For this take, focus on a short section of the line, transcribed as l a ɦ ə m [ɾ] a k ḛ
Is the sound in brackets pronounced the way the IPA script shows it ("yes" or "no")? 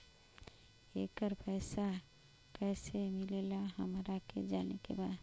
yes